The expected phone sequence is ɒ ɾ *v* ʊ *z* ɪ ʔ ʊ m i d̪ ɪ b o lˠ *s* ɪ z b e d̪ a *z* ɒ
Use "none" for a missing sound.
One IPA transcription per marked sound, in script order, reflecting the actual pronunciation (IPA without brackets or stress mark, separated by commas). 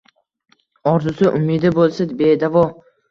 z, s, s, v